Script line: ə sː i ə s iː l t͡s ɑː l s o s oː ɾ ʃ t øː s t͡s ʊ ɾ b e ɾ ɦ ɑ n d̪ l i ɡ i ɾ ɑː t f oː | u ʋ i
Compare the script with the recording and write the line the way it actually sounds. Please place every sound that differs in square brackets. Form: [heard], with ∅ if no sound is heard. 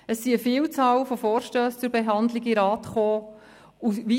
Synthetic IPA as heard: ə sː i ə [f] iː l t͡s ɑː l [f] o [f] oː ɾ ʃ t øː s t͡s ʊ ɾ b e [∅] ɦ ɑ n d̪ l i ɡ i ɾ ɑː t [χ] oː | u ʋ i